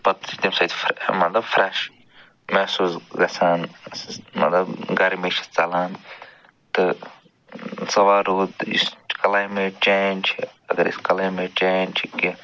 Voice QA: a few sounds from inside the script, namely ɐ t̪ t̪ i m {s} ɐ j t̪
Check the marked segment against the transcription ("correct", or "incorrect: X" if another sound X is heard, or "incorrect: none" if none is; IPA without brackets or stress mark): correct